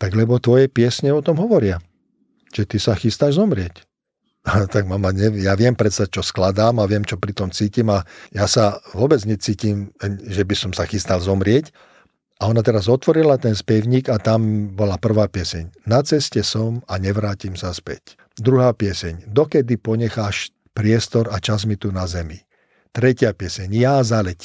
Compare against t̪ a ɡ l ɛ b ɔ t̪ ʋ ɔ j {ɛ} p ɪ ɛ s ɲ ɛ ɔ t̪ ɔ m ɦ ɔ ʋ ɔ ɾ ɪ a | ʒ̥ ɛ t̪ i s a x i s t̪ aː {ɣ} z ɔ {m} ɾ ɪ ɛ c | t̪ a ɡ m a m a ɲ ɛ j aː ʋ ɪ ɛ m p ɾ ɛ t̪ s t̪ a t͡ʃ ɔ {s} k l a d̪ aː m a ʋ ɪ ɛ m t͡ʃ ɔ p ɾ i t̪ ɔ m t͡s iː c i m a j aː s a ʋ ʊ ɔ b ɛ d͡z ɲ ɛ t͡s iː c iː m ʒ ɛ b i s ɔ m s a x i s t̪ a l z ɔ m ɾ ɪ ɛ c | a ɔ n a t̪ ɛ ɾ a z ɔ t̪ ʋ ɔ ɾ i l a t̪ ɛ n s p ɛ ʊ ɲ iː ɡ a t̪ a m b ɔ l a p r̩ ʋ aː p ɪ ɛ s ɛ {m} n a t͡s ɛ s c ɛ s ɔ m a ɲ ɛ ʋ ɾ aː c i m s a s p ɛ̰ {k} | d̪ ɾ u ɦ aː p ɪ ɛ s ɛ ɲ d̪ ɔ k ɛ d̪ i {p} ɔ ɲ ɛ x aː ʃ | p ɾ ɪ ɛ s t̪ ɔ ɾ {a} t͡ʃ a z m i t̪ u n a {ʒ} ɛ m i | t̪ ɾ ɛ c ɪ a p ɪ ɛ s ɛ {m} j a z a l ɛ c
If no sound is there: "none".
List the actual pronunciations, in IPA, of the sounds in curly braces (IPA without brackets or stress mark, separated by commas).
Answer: ɛ, ʒ, m, s, ɲ, c, p, a, z, ɲ